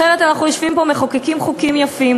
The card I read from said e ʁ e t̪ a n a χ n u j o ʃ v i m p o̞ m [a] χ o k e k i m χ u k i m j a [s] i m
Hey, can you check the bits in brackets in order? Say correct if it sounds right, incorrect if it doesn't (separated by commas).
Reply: incorrect, incorrect